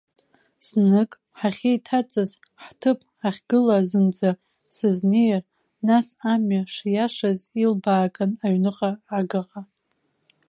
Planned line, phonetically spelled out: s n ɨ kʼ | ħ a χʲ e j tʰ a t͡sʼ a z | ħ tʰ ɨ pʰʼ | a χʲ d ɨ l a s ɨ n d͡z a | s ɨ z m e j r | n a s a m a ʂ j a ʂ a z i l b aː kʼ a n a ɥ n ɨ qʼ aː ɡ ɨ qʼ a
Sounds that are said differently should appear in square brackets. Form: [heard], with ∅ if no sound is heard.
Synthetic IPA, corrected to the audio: s n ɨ kʼ | ħ a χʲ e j tʰ a t͡sʼ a z | ħ tʰ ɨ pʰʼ | a χʲ [ɡ] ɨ l a [z] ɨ n d͡z a | s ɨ z [n] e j r | n a s a m a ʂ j a ʂ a z i l b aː kʼ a n a ɥ n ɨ qʼ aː ɡ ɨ qʼ a

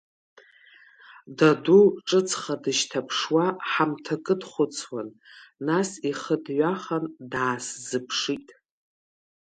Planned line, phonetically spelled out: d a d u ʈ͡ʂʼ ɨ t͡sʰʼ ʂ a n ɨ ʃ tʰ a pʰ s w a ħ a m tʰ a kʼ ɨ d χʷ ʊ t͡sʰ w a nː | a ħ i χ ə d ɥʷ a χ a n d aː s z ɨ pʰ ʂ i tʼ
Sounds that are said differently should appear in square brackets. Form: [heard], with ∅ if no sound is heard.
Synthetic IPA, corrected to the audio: d a d u ʈ͡ʂʼ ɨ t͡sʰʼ [χ] a [d] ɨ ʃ tʰ a pʰ [ʂ] w a ħ a m tʰ a kʼ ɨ d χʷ ʊ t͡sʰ w a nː | a [s] i χ ə d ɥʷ a χ a n d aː s z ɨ pʰ ʂ i tʼ

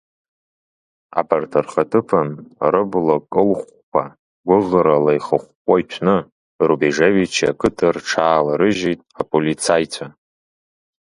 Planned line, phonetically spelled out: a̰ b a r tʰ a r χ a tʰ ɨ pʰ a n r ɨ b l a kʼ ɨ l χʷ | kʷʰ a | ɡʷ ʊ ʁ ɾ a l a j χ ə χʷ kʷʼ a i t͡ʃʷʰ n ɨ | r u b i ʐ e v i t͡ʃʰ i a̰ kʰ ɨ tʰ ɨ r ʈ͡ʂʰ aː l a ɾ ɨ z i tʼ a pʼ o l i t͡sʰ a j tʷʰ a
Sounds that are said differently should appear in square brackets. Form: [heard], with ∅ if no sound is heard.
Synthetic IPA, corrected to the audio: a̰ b a r tʰ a r χ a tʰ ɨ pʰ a n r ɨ b l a kʼ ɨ l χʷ | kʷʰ a | ɡʷ ʊ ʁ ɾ a l a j χ ə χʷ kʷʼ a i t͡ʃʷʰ n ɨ | r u b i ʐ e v i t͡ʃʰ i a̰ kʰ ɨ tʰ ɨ r ʈ͡ʂʰ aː l a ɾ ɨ [ʒ] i tʼ a pʼ o l i t͡sʰ a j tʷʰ a

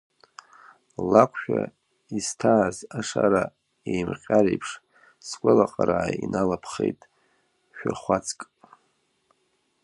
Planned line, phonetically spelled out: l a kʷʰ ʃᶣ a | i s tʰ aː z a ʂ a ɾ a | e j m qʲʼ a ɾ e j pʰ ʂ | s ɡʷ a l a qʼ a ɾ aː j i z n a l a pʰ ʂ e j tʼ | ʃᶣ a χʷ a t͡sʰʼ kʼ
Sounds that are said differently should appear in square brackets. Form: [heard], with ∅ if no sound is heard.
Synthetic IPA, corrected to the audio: l a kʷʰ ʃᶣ a | i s tʰ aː z a ʂ a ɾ a | e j m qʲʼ a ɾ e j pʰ ʂ | s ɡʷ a l a qʼ a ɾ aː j i [∅] n a l a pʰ [χ] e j tʼ | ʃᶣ a χʷ a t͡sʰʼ kʼ

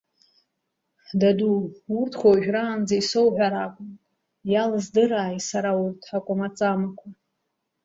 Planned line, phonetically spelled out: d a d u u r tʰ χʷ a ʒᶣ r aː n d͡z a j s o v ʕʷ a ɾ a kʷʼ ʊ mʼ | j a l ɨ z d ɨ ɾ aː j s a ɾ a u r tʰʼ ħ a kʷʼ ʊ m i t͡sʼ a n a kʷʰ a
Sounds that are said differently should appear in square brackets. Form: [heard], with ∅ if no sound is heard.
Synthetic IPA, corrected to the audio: d a d u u r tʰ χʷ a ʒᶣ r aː n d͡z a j s o [w] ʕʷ a ɾ a kʷʼ ʊ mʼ | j a l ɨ z d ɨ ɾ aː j s a ɾ a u r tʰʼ ħ a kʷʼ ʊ m [a] t͡sʼ a [m] a kʷʰ a

